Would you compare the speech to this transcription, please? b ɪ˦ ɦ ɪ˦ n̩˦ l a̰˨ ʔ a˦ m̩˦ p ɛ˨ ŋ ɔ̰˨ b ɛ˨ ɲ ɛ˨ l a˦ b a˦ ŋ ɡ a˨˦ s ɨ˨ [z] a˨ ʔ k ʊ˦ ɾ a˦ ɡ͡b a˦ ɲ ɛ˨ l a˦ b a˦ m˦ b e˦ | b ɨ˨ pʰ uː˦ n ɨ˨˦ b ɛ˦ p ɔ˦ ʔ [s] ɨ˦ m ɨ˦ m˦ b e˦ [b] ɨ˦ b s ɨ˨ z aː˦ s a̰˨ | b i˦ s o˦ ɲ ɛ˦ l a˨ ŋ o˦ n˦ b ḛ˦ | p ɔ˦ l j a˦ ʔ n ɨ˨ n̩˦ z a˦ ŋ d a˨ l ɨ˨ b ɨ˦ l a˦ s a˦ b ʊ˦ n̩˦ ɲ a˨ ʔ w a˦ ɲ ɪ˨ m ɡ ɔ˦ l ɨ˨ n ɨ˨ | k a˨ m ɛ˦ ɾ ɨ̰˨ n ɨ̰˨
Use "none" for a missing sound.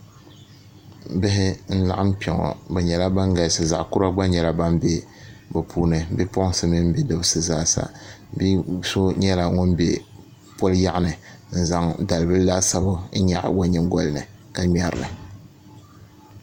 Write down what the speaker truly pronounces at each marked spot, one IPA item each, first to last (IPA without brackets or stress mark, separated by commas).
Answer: z, s, d